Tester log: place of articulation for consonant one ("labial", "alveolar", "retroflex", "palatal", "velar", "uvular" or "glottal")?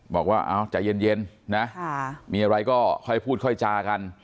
labial